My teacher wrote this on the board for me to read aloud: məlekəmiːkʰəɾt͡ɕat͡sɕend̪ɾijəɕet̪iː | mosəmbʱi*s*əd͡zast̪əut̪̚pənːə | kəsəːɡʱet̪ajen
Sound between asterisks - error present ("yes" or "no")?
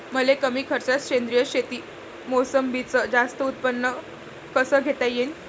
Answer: yes